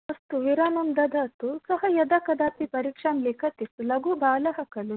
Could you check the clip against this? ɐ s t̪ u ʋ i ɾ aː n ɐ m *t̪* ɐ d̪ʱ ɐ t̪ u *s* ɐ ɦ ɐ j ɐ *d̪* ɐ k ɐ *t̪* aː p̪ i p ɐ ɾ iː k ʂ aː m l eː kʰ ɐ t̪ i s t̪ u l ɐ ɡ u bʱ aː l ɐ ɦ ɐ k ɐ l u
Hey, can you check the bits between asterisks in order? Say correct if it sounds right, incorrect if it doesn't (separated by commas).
incorrect, correct, correct, incorrect